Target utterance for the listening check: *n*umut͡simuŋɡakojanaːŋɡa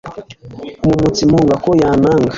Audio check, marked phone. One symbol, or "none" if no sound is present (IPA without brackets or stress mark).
m